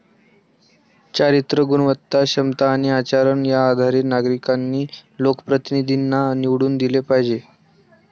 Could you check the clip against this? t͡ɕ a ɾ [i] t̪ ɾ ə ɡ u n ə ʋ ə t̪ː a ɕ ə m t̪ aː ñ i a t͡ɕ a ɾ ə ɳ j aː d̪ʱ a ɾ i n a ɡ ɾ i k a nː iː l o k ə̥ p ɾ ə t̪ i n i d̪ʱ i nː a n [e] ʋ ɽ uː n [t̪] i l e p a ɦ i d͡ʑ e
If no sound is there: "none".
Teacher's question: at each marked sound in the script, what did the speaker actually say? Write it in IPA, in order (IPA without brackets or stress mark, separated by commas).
i, i, d̪